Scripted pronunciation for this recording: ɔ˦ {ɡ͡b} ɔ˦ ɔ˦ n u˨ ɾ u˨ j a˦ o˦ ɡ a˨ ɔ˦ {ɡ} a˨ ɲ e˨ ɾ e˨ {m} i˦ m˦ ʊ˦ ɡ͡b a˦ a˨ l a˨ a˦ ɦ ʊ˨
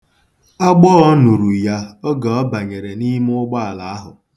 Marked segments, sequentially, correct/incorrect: correct, incorrect: b, incorrect: n

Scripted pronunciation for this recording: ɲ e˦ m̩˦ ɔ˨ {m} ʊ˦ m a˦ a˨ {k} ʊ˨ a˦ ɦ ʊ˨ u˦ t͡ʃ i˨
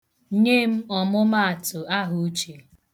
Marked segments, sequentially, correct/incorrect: correct, incorrect: t

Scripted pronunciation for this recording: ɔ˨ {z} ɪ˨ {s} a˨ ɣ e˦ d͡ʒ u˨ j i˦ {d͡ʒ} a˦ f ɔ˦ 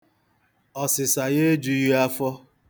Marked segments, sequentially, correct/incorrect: incorrect: s, correct, incorrect: none

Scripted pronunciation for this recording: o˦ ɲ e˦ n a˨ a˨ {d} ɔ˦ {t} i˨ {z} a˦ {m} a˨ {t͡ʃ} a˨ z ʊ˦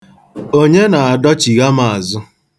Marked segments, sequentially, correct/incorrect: correct, incorrect: t͡ʃ, incorrect: ɣ, correct, incorrect: none

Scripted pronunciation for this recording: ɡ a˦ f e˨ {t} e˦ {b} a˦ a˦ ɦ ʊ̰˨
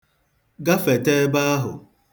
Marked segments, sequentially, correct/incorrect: correct, correct

